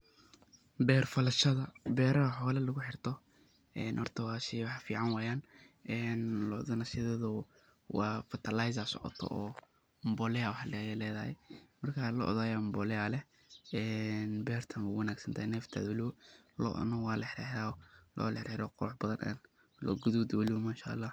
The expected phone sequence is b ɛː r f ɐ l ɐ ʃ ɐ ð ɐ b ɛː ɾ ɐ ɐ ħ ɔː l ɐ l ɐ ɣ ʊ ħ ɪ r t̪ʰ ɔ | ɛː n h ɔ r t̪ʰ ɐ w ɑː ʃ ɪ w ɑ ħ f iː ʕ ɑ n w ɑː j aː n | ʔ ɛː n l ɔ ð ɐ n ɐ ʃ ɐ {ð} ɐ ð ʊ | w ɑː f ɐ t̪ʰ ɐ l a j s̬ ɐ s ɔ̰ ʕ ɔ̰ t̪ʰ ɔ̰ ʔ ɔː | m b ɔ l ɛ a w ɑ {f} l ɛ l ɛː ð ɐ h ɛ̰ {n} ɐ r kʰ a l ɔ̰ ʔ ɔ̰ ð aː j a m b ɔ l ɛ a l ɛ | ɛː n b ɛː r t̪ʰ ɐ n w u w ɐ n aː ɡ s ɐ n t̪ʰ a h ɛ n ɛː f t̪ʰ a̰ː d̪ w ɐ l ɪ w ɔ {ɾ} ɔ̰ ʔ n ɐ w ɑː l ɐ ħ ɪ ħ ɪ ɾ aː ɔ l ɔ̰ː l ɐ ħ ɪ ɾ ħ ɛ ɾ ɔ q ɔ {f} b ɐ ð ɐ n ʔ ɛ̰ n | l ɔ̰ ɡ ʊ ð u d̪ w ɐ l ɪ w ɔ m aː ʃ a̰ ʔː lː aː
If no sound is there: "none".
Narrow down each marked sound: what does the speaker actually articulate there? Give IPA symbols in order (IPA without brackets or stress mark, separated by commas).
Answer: ð, ħ, m, l, ħ